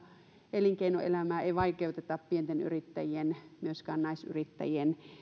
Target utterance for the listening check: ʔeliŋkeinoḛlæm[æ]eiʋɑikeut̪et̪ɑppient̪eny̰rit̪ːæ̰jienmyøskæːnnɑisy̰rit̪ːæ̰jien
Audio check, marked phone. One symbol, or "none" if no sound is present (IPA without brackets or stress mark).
æː